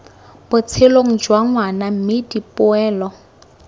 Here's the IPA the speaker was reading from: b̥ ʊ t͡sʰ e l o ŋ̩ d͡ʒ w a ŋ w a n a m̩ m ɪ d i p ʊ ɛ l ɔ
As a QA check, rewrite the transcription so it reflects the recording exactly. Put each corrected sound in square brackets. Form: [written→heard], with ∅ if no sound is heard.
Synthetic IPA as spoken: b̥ ʊ t͡sʰ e l o ŋ̩ d͡ʒ w a ŋ w a n a m̩ m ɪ d i p ʊ [ɛ→ɛː] l ɔ